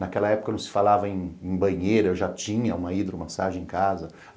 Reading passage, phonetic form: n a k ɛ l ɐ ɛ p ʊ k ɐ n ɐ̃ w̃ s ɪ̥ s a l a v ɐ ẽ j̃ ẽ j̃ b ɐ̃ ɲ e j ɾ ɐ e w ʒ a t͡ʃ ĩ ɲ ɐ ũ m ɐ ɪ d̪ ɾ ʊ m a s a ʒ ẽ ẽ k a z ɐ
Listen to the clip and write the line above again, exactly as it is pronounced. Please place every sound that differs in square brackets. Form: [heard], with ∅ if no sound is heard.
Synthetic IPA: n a k ɛ l ɐ ɛ p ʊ k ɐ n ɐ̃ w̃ s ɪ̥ [f] a l a v ɐ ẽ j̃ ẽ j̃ b ɐ̃ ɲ e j ɾ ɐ e w ʒ a t͡ʃ ĩ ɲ ɐ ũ m ɐ [i] d̪ ɾ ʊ m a s a ʒ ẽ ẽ k a z ɐ